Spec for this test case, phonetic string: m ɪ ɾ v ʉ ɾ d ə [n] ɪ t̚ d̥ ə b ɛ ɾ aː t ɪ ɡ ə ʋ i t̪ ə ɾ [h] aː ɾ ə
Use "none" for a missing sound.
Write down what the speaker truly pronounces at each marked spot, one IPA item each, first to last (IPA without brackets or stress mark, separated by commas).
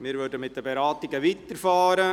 m, f